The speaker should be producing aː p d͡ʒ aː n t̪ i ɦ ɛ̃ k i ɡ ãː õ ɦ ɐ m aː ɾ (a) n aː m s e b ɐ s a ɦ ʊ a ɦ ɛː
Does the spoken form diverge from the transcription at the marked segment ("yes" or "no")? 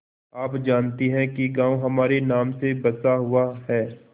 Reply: yes